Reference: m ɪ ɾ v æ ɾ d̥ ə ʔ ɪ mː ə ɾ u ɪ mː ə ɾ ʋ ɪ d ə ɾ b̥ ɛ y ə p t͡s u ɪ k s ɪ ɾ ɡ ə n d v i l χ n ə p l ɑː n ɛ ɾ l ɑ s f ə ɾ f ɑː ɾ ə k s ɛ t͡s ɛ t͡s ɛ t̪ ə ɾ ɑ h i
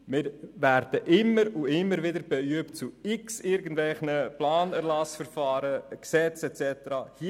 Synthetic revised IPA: m ɪ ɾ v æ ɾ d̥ ə ʔ ɪ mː ə ɾ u ɪ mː ə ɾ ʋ ɪ d ə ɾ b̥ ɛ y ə p t͡s u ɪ k s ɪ ɾ ɡ ə n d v ɛ l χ n ə p l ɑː n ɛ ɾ l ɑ s f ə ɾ f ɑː ɾ ə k s ɛ t͡s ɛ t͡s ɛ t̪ ə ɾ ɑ h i